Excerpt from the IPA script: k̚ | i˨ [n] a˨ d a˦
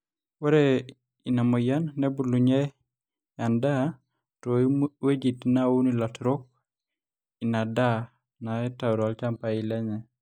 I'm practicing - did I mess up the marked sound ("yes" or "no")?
no